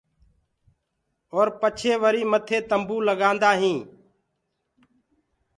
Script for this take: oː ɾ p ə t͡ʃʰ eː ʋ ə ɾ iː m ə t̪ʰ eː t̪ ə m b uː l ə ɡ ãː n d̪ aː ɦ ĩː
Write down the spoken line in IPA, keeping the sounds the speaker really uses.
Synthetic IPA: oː ɾ p ə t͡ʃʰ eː ʋ ə ɾ iː m ə t̪ʰ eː t̪ ə m b uː l ə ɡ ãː n d̪ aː ɦ ĩː